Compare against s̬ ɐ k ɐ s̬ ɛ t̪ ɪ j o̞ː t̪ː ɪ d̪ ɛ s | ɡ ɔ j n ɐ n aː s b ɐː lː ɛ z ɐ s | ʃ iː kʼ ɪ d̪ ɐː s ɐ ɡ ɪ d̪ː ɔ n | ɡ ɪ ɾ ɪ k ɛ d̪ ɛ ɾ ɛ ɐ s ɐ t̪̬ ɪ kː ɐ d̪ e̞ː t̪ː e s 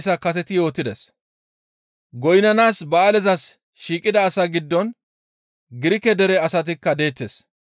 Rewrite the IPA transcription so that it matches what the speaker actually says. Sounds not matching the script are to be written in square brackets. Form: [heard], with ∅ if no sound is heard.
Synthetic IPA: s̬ ɐ k ɐ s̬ ɛ t̪ ɪ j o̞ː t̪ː ɪ d̪ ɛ s | ɡ ɔ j n ɐ n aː s b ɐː [l] ɛ z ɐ s | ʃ iː kʼ ɪ d̪ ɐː s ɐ ɡ ɪ d̪ː ɔ n | ɡ ɪ ɾ ɪ k ɛ d̪ ɛ ɾ ɛ ɐ s ɐ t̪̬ ɪ kː ɐ d̪ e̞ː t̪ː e s